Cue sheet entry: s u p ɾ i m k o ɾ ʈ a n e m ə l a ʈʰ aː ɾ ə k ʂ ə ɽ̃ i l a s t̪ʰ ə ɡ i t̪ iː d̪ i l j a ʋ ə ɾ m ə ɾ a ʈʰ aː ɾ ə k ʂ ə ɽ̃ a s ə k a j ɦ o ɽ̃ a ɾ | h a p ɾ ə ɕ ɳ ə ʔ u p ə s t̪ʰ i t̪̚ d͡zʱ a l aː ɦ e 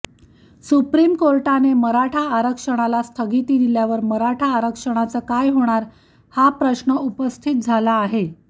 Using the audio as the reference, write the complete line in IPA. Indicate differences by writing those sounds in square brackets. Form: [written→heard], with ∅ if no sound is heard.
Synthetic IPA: s u p ɾ i m k o ɾ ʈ a n e m ə [l→ɾ] a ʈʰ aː ɾ ə k ʂ ə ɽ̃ [i→a] l a s t̪ʰ ə ɡ i t̪ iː d̪ i l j a ʋ ə ɾ m ə ɾ a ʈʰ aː ɾ ə k ʂ ə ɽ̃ a [s→t͡s] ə k a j ɦ o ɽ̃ a ɾ | h a p ɾ ə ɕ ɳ ə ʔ u p ə s t̪ʰ i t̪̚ d͡zʱ a l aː ɦ e